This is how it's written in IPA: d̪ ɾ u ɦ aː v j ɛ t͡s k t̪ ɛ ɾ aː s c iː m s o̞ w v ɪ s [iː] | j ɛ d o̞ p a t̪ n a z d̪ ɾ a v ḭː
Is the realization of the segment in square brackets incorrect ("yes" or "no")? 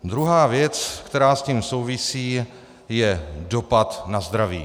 no